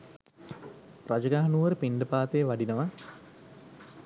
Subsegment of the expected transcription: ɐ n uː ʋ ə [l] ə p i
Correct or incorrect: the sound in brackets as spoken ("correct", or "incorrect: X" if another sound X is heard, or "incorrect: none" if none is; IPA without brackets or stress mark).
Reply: incorrect: ɾ